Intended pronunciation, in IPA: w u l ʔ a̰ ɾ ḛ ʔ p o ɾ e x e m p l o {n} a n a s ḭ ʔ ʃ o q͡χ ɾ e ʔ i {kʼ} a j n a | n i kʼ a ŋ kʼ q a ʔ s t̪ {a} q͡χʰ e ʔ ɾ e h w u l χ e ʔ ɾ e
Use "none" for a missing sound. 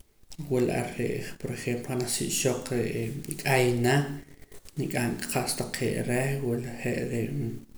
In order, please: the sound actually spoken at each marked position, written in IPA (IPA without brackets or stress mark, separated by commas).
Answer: none, kʼ, a